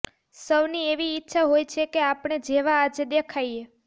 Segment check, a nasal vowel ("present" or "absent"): absent